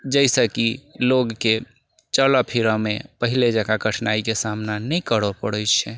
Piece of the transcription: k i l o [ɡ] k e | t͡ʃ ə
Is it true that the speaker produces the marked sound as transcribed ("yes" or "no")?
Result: yes